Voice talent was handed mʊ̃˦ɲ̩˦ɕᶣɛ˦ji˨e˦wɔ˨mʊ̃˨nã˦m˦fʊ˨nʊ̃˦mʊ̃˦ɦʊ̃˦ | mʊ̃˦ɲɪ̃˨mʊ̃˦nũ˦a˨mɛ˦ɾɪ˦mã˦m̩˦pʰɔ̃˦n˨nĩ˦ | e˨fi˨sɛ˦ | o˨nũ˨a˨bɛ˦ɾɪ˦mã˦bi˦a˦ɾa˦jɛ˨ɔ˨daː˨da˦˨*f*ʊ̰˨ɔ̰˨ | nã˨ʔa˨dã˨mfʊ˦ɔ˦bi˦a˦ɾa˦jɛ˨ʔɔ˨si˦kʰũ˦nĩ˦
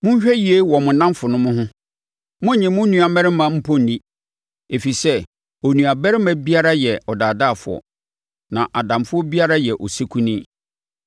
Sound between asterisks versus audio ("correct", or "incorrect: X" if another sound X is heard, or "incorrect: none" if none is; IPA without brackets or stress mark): correct